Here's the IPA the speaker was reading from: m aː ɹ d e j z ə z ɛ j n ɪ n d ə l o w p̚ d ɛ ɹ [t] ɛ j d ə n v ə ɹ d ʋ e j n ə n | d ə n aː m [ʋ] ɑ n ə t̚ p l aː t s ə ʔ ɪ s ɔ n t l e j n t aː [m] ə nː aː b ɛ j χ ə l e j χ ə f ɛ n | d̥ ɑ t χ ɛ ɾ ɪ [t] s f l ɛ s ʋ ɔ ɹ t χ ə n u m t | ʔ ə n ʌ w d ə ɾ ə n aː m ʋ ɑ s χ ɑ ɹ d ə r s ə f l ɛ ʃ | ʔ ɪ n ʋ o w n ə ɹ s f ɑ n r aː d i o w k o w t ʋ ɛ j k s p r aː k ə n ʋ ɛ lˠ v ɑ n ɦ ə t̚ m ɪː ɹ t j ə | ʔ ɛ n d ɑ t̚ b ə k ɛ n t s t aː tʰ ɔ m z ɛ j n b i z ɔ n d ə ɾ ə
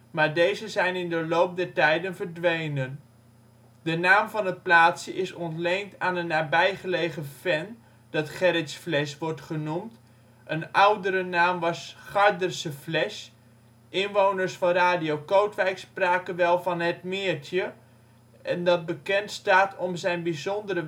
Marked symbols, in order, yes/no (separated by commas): yes, no, no, yes